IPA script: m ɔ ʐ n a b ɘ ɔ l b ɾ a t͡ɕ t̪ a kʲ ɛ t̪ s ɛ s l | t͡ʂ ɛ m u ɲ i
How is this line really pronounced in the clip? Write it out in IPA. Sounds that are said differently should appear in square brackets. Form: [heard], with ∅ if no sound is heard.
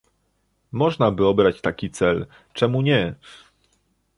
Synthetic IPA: m ɔ ʐ n a b ɘ ɔ [∅] b ɾ a t͡ɕ t̪ a kʲ [i] t̪ s ɛ [∅] l | t͡ʂ ɛ m u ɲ [ɛ]

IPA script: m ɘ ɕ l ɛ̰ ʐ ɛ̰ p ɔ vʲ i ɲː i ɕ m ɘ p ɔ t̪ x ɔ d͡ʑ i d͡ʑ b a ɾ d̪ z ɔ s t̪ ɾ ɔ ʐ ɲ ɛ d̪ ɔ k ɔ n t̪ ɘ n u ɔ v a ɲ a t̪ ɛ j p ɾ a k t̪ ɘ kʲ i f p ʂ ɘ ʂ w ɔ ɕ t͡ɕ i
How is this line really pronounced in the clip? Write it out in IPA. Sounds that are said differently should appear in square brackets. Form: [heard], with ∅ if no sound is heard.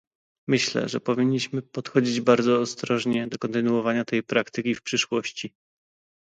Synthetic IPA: m ɘ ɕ l ɛ̰ ʐ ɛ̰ p ɔ vʲ i ɲː i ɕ m ɘ p ɔ t̪ x ɔ d͡ʑ i d͡ʑ b a ɾ d̪ z [ɔː] s t̪ ɾ ɔ ʐ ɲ ɛ d̪ ɔ k ɔ n t̪ ɘ n u ɔ v a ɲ a t̪ ɛ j p ɾ a k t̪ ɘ kʲ i f p ʂ ɘ ʂ w ɔ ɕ t͡ɕ i

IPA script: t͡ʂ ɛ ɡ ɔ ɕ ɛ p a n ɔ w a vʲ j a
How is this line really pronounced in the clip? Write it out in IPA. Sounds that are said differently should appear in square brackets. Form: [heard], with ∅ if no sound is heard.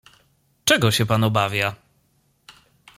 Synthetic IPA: t͡ʂ ɛ ɡ ɔ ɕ ɛ p a n ɔ [b] a vʲ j a

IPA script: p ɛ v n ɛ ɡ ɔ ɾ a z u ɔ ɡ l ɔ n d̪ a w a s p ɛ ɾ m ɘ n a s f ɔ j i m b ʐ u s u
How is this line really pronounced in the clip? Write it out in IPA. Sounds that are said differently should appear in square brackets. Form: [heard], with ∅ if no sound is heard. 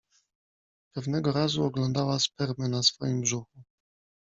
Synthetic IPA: p ɛ v n ɛ ɡ ɔ ɾ a z u ɔ ɡ l ɔ n d̪ a w a s p ɛ ɾ m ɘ n a s f ɔ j i m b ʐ u [x] u

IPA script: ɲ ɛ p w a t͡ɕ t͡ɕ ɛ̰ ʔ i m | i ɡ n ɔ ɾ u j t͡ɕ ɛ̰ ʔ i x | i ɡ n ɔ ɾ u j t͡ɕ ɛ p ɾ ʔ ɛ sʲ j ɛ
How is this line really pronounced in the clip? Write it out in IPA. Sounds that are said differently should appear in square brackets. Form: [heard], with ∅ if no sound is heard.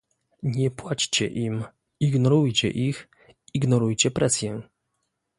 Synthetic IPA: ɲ ɛ p w a t͡ɕ t͡ɕ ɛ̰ ʔ i m | i ɡ n ɔ ɾ u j t͡ɕ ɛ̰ ʔ i x | i ɡ n ɔ ɾ u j t͡ɕ ɛ p ɾ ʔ ɛ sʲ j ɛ

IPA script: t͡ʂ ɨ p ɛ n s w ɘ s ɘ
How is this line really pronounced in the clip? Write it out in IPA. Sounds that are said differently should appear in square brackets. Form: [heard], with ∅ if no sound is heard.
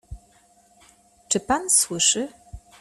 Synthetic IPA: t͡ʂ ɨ p [a] n s w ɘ [ʂ] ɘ

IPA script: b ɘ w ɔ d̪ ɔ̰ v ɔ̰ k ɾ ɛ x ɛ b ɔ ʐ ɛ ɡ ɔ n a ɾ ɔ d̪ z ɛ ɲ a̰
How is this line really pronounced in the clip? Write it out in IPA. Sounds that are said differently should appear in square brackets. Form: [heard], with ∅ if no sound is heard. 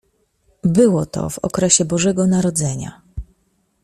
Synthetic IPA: b ɘ w ɔ [t̪] ɔ̰ v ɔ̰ k ɾ ɛ [ɕ] ɛ b ɔ ʐ ɛ ɡ ɔ n a ɾ ɔ d̪ z ɛ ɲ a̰

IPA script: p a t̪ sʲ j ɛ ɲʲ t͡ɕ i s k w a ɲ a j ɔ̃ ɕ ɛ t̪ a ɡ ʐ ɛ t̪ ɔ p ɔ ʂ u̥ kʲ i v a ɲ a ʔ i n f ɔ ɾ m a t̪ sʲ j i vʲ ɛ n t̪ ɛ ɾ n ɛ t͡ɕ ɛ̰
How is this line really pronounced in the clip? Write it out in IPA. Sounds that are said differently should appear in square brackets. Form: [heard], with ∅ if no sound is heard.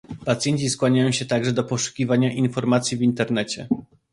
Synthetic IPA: p a t̪ sʲ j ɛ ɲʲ t͡ɕ i s k w a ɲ a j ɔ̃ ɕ ɛ t̪ a ɡ ʐ ɛ [d̪] ɔ p ɔ ʂ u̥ kʲ i v a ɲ a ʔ i n f ɔ ɾ m a t̪ sʲ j i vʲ [i] n t̪ ɛ ɾ n ɛ t͡ɕ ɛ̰

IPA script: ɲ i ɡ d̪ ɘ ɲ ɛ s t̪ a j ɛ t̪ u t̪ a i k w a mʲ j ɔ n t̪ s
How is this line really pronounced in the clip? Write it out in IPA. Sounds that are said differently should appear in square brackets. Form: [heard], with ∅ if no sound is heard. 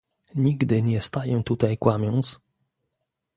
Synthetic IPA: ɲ i ɡ d̪ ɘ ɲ ɛ s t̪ a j ɛ t̪ u t̪ a [j] k w a mʲ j ɔ n t̪ s

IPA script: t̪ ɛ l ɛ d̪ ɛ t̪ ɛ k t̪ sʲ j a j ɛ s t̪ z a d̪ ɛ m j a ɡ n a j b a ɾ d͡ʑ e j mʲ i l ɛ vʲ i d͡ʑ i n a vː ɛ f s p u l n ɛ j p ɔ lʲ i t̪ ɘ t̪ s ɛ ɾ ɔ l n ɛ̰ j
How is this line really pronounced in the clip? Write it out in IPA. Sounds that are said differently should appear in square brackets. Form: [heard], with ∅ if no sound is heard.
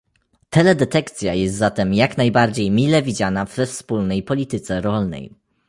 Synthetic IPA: t̪ ɛ l ɛ d̪ ɛ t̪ ɛ k t̪ sʲ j a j ɛ s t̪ z a [t̪] ɛ m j a [k] n a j b a ɾ d͡ʑ e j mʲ i l ɛ vʲ i d͡ʑ [a] n a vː ɛ f s p u l n ɛ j p ɔ lʲ i t̪ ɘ t̪ s ɛ ɾ ɔ l n ɛ̰ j

